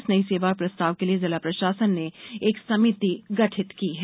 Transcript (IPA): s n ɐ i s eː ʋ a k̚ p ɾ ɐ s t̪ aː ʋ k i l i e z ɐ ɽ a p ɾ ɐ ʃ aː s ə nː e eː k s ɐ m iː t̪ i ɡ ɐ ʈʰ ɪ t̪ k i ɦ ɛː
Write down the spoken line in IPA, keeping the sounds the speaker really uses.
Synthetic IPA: s n ɐ i s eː ʋ a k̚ p ɾ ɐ s t̪ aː ʋ k e l i e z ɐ l a p ɾ ɐ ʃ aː s ə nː e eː k s ɐ m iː t̪ i ɡ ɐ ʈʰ ɪ t̪ k i ɦ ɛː